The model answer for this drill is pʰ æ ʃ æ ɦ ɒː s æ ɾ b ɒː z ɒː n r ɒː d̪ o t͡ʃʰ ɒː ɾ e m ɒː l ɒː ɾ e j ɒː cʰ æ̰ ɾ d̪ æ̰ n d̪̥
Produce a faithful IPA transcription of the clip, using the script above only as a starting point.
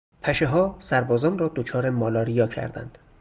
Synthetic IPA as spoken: pʰ æ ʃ e ɦ ɒː s æ ɾ b ɒː z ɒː n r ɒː d̪ o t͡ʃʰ ɒː ɾ e m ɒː l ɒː ɾ i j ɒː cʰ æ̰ ɾ d̪ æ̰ n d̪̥